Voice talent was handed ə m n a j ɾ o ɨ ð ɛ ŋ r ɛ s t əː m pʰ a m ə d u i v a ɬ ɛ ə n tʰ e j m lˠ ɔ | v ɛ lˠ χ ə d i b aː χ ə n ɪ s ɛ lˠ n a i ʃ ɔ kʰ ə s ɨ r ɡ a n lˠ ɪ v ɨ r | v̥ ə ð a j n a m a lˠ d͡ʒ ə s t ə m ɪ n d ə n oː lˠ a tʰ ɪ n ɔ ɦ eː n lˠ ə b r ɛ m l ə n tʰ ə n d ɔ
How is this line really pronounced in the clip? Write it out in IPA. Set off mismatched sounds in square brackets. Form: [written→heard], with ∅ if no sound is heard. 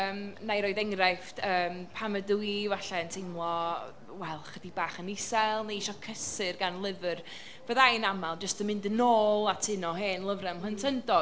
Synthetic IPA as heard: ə m n a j ɾ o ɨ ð ɛ ŋ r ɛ [s→f] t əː m pʰ a m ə d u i v a ɬ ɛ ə n tʰ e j m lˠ ɔ | [v→w] ɛ lˠ χ ə d i b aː χ ə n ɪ s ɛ lˠ n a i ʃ ɔ kʰ ə s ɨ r ɡ a n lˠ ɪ v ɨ r | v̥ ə ð a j n a m a lˠ d͡ʒ ə s t ə m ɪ n d ə n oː lˠ a tʰ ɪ n ɔ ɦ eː n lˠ ə [b→v] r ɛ m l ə n tʰ ə n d ɔ